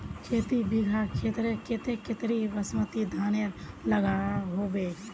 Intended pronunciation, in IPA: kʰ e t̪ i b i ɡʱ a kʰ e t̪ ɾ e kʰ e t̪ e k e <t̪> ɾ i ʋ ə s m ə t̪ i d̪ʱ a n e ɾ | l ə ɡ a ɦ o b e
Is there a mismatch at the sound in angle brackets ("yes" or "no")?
no